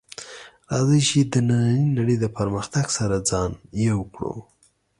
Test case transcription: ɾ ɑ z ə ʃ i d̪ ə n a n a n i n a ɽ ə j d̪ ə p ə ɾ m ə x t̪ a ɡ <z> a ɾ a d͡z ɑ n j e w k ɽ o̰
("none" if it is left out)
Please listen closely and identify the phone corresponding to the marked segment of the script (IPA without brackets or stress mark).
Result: s